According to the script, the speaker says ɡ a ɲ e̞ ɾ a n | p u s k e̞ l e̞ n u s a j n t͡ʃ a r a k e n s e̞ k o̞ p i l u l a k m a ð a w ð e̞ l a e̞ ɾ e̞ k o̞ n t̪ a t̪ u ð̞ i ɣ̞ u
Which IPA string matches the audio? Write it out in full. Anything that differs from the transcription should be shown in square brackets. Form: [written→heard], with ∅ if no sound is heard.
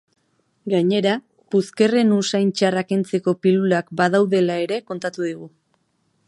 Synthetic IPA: ɡ a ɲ e̞ ɾ a [n→∅] | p u s k e̞ [l→r] e̞ n u s a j n t͡ʃ a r a k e n [s→t͡s] e̞ k o̞ p i l u l a k [m→b] a ð a w ð e̞ l a e̞ ɾ e̞ k o̞ n t̪ a t̪ u ð̞ i ɣ̞ u

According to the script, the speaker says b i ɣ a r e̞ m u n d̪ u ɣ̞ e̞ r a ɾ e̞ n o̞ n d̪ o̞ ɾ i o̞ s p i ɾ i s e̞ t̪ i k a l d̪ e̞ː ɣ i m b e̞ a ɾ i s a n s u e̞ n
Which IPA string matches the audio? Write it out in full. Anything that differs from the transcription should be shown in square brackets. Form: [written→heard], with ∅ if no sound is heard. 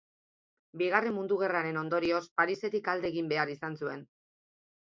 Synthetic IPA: b i ɣ a r e̞ m u n d̪ u ɣ̞ e̞ r a ɾ e̞ n o̞ n d̪ o̞ ɾ i o̞ s p [i→a] ɾ i s e̞ t̪ i k a l d̪ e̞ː ɣ i m b e̞ a ɾ i s a n s u e̞ n

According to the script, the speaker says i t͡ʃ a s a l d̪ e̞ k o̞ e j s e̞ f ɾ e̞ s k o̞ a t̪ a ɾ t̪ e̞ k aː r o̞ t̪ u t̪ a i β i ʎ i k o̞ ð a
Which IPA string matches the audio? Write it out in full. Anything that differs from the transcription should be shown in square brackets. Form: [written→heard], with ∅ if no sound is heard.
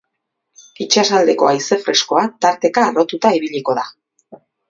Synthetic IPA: i t͡ʃ a s a l d̪ e̞ k o̞ [e→a] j s e̞ f ɾ e̞ s k o̞ a t̪ a ɾ t̪ e̞ k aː r o̞ t̪ u t̪ a i β i ʎ i k o̞ ð a

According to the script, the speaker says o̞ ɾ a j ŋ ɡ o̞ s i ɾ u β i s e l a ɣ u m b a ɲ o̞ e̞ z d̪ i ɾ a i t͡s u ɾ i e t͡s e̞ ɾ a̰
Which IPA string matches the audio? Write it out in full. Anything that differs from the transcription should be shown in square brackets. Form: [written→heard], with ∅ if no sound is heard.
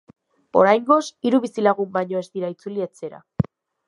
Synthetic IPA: o̞ ɾ a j ŋ ɡ o̞ s i ɾ u β i s [e→i] l a ɣ u m b a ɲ o̞ e̞ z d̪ i ɾ a i t͡s u [ɾ→l] i e t͡s e̞ ɾ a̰

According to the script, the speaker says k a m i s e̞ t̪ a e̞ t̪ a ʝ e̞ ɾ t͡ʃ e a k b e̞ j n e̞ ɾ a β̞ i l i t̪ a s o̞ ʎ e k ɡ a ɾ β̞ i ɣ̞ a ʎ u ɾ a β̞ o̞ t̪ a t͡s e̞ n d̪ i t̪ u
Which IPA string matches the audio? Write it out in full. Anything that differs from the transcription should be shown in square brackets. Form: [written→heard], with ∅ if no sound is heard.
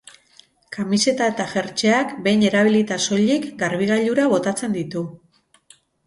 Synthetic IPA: k a m i s e̞ t̪ a e̞ t̪ a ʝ e̞ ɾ t͡ʃ e a k b e̞ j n e̞ ɾ a β̞ i l i t̪ a s o̞ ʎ [e→i] k ɡ a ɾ β̞ i ɣ̞ a ʎ u ɾ a β̞ o̞ t̪ a t͡s e̞ n d̪ i t̪ u

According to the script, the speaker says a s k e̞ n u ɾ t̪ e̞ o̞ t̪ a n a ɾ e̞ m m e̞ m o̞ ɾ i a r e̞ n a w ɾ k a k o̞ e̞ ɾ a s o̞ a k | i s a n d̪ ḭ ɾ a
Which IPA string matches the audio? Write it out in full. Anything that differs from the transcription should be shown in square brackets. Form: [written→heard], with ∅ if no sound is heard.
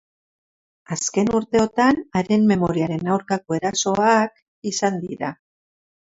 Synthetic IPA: a s k e̞ n u ɾ t̪ e̞ o̞ t̪ a n a ɾ e̞ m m e̞ m o̞ ɾ i a [r→ɾ] e̞ n a w ɾ k a k o̞ e̞ ɾ a s o̞ a k | i s a n d̪ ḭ ɾ a

